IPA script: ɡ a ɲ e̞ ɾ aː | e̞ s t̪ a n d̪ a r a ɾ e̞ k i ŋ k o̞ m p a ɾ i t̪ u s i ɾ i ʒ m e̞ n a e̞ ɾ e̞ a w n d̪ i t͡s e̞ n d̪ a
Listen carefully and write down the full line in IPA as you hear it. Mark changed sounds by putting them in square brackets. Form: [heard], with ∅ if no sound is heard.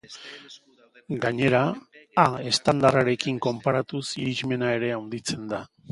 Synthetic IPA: ɡ a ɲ e̞ ɾ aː | e̞ s t̪ a n d̪ a r a ɾ e̞ k i ŋ k o̞ m p a ɾ [a] t̪ u s i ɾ i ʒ m e̞ n a e̞ ɾ e̞ a w n d̪ i t͡s e̞ n d̪ a